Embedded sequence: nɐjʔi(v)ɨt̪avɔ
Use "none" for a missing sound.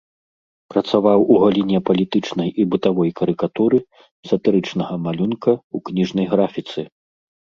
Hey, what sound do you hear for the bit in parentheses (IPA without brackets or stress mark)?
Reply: b